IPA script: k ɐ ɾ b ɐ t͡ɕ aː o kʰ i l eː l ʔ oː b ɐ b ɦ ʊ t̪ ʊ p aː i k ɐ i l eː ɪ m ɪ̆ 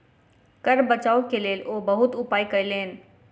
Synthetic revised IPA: k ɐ ɾ b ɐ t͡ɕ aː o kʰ e l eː l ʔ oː b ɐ ɦ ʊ t̪ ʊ p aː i k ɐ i l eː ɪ n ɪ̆